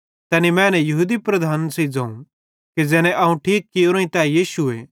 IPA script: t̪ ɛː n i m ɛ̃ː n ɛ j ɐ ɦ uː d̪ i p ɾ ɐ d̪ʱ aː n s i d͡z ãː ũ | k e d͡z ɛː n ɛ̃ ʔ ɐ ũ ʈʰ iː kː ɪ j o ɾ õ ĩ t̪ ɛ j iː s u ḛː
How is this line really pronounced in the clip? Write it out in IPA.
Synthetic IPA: t̪ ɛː n i m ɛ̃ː n ɛ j ɐ ɦ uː d̪ i p ɾ ɐ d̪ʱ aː n s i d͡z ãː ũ | k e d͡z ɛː n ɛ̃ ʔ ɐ ũ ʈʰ iː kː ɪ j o ɾ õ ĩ t̪ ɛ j iː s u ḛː